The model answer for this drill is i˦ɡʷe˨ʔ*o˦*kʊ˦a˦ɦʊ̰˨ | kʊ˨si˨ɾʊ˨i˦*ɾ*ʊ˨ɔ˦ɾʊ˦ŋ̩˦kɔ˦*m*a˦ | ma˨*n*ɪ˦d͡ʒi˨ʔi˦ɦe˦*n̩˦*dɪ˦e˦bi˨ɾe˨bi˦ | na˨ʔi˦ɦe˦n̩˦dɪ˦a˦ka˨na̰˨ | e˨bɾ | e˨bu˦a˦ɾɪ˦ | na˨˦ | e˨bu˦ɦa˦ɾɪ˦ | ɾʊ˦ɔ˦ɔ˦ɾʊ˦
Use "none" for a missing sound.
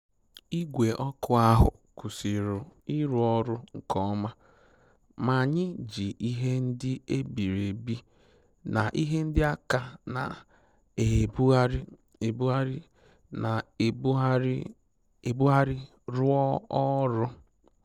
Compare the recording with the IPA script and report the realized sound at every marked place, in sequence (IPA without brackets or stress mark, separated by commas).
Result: ɔ˦, ɾ, m, ɲ, n̩˦